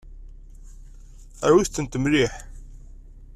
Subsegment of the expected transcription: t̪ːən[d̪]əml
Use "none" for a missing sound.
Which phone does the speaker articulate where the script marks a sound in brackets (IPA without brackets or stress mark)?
t̪